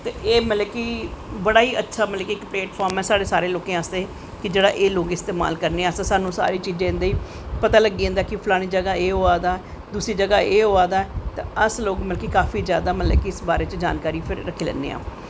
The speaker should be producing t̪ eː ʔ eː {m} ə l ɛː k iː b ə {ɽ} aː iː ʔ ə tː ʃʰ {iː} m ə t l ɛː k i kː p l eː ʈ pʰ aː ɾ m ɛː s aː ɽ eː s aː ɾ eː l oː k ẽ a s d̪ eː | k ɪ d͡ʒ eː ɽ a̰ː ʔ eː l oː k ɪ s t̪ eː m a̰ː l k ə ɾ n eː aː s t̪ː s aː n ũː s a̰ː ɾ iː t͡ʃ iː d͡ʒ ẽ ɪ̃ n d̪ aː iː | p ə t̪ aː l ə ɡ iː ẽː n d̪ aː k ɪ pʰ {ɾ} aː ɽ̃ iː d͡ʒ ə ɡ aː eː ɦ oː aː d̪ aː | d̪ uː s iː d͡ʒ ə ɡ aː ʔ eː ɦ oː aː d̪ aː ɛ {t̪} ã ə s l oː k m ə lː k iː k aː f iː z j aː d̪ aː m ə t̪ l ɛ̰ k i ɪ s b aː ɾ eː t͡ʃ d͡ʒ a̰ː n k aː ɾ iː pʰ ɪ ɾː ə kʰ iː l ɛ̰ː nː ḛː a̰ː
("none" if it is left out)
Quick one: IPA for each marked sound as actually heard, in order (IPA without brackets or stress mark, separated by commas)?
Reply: m, ɽ, aː, l, t̪